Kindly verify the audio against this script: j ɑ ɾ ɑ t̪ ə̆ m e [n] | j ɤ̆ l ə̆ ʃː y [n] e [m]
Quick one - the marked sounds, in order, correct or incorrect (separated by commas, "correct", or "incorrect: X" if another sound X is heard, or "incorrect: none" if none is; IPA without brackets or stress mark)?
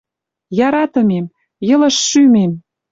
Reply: incorrect: m, incorrect: m, correct